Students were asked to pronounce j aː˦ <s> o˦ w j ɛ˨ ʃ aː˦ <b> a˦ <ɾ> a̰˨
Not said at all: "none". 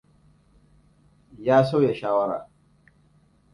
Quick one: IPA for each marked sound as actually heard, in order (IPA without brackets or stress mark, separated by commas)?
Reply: s, w, ɾ